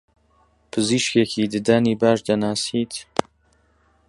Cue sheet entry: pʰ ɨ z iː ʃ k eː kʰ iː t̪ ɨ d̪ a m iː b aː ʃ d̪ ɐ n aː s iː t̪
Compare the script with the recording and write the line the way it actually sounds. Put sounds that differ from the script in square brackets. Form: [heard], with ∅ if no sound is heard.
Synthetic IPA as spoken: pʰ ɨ z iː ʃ k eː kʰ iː [d̪] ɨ d̪ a [n] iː b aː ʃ d̪ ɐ n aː s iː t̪